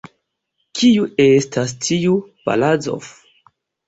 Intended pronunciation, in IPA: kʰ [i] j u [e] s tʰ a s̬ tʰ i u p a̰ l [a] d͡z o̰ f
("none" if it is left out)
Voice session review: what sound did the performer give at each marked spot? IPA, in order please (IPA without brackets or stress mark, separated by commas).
i, e, a